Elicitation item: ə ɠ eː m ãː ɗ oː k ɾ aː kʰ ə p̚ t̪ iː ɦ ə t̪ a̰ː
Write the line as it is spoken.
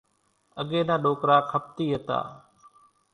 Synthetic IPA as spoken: ə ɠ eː n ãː ɗ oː k ɾ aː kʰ ə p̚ t̪ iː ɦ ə t̪ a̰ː